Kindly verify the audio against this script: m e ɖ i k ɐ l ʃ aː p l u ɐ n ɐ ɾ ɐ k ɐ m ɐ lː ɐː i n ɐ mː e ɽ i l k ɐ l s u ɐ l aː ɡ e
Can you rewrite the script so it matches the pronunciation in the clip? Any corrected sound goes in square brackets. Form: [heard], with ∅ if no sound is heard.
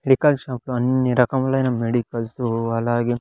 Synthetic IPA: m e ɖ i k ɐ l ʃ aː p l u ɐ n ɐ ɾ ɐ k ɐ m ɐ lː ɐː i n ɐ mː e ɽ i [∅] k ɐ l s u ɐ l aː ɡ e